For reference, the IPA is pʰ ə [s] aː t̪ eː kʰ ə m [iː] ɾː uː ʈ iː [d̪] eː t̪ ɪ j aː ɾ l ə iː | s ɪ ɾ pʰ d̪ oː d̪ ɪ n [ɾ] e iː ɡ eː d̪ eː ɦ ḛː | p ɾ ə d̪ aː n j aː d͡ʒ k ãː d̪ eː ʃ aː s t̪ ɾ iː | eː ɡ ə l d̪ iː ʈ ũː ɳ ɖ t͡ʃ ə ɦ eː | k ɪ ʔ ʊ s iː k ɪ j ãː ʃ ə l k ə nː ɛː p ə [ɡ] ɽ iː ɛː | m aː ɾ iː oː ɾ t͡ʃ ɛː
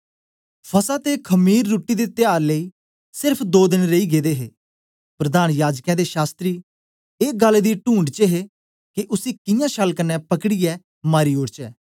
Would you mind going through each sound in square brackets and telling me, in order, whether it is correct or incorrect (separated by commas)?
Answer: correct, correct, correct, correct, incorrect